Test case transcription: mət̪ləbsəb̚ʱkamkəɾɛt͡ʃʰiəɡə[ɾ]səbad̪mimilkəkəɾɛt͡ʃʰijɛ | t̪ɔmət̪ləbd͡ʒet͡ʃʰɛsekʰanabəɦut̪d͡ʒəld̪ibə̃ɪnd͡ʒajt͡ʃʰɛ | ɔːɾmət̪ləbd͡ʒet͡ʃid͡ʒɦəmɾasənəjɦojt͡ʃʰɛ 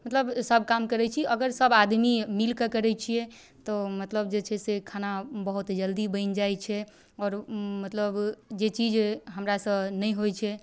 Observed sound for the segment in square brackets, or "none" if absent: ɾ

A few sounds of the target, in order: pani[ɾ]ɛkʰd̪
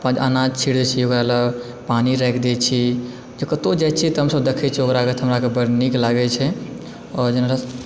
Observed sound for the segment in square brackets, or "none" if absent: ɾ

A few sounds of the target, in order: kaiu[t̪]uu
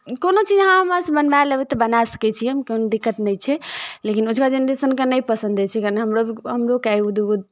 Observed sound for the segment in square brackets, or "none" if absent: d̪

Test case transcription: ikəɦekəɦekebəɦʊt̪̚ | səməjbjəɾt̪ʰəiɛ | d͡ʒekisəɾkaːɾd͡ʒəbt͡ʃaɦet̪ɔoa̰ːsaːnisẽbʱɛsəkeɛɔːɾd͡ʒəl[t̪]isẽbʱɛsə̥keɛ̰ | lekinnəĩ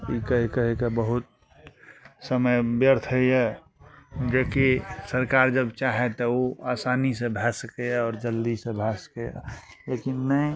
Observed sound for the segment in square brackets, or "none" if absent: d̪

